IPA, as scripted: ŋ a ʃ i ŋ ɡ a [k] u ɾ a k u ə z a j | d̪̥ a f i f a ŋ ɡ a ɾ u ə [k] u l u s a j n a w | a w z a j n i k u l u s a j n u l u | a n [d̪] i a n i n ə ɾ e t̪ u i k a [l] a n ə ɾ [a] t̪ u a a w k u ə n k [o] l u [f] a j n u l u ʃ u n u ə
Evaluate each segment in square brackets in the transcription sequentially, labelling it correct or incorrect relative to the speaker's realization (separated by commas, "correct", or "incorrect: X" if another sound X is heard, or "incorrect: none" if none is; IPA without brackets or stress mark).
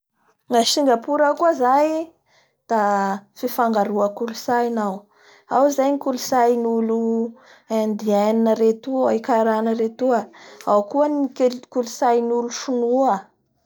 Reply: incorrect: p, correct, correct, incorrect: ɾ, incorrect: e, incorrect: u, incorrect: s